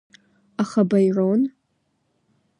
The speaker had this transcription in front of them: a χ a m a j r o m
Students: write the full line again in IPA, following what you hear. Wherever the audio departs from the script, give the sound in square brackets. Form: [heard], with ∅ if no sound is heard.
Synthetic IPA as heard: a χ a [b] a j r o [n]